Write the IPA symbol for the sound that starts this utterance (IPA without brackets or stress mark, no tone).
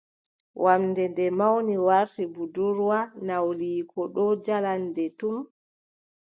w